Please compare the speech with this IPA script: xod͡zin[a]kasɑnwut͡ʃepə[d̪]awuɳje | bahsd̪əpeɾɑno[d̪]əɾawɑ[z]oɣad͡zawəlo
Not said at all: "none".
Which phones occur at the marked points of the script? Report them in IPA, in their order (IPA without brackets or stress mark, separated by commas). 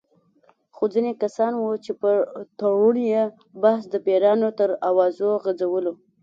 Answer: e, t̪, t̪, z